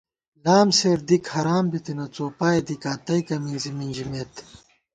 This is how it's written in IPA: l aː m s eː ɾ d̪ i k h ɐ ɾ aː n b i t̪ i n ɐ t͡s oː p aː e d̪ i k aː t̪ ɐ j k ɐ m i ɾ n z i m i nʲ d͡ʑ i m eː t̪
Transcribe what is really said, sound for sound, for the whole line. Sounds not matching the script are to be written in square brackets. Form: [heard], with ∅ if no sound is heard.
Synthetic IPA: l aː m s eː ɾ d̪ i k h ɐ ɾ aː [m] b i t̪ i n ɐ t͡s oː p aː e d̪ i k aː t̪ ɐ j k ɐ m i [∅] n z i m i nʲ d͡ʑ i m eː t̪